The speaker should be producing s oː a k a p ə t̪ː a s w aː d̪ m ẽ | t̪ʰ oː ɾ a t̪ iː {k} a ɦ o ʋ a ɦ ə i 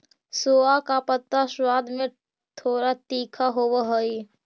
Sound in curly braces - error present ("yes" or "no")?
yes